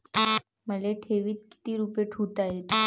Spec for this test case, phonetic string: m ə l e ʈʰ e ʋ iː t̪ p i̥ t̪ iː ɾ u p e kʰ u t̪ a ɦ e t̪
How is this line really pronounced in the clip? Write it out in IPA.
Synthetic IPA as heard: m ə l e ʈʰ e ʋ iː t̪ k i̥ t̪ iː ɾ u p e ʈʰ u t̪ a ɦ e t̪